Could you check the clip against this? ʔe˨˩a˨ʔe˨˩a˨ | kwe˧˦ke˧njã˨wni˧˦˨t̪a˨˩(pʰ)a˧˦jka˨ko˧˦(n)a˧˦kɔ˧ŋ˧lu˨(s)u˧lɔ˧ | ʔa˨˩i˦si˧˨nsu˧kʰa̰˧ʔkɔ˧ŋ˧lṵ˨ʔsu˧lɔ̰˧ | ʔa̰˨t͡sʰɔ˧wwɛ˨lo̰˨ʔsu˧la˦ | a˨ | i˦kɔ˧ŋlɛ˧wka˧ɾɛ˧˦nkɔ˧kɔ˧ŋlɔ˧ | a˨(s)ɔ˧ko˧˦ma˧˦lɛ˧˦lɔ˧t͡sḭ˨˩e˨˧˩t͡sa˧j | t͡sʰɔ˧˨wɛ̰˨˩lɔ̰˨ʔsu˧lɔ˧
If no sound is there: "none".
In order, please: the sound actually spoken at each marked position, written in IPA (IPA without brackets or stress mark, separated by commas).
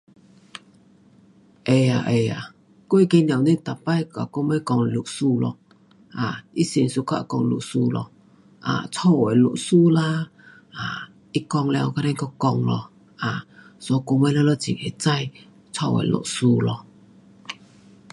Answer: p, m, s, s